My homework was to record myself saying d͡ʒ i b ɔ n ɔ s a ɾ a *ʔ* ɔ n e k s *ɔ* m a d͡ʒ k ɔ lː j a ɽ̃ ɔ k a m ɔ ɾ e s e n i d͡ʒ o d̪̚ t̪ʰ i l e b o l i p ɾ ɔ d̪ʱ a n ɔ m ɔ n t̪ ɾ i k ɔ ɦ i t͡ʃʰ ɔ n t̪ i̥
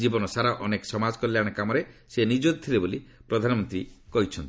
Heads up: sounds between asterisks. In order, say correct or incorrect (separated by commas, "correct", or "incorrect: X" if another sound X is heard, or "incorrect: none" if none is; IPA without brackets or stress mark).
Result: correct, correct